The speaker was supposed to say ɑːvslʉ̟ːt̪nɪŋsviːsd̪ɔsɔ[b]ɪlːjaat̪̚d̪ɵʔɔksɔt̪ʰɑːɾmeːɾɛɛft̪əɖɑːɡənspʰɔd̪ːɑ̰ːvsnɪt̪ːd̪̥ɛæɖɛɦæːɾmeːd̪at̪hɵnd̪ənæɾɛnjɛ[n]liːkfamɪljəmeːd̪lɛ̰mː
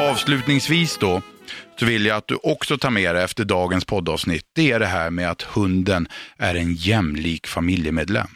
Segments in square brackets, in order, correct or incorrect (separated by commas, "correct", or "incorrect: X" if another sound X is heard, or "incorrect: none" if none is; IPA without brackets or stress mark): incorrect: v, incorrect: m